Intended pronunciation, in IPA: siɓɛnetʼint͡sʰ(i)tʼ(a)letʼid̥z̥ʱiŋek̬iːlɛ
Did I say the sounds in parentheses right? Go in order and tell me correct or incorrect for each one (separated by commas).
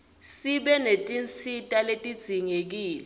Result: correct, correct